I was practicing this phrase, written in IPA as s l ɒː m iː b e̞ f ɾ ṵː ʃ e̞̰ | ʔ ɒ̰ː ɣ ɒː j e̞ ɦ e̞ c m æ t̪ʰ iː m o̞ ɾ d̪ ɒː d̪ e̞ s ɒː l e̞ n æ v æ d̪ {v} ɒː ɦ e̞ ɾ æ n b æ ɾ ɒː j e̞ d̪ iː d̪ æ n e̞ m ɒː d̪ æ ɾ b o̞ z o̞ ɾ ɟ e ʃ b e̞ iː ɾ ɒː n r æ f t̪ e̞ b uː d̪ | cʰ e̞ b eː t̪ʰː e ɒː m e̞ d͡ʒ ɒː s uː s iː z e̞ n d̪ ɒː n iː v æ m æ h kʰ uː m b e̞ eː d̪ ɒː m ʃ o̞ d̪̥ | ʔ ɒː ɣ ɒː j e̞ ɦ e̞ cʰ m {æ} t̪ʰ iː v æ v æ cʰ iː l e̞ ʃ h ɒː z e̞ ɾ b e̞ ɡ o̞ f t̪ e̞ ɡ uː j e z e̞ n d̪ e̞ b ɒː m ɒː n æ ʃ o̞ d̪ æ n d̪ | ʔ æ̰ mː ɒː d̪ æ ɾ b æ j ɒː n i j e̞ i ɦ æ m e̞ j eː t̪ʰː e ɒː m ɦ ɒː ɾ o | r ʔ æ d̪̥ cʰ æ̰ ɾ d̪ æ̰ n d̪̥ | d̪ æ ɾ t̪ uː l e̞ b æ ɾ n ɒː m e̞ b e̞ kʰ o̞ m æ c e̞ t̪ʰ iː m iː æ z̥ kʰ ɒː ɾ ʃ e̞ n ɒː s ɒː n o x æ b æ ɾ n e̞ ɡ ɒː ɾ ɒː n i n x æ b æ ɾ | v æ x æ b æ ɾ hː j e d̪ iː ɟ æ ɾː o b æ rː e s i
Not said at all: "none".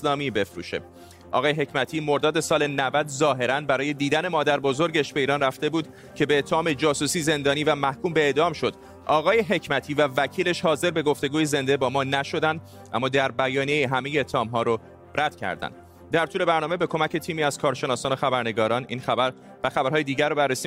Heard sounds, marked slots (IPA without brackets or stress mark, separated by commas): z, æ